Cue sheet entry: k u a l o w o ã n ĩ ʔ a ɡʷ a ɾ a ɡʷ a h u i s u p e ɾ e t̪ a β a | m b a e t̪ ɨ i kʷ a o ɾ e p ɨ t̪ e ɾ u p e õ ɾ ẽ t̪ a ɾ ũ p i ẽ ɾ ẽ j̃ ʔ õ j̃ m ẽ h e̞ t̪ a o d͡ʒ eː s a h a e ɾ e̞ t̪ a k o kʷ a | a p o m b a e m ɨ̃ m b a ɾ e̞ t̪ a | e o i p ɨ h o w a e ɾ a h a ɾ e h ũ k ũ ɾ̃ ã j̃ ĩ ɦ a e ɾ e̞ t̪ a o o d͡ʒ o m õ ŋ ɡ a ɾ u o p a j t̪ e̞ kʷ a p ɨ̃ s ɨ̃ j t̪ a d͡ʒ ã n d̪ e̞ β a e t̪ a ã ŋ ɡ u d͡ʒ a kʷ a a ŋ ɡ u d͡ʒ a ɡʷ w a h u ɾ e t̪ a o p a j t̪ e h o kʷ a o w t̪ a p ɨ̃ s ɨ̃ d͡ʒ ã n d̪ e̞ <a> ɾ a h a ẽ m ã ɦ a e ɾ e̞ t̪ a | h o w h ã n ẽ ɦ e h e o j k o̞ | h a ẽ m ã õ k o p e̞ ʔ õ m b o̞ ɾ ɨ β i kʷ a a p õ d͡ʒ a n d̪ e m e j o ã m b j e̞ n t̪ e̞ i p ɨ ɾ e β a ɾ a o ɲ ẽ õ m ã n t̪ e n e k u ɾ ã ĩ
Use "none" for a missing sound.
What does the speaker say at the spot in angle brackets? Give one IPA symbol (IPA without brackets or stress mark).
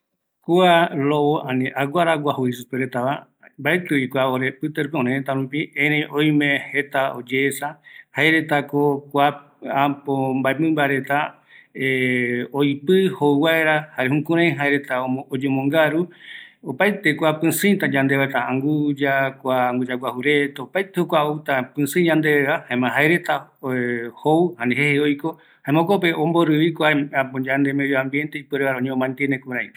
e